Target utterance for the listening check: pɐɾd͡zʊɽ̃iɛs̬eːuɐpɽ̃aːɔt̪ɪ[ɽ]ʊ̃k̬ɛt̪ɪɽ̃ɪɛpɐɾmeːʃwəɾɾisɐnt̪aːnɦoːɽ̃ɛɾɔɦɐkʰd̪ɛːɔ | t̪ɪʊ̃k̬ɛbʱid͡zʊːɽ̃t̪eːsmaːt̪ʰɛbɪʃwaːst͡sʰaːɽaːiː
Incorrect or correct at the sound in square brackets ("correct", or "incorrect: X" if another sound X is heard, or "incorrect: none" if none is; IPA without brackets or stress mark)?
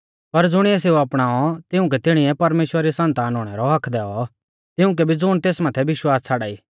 incorrect: none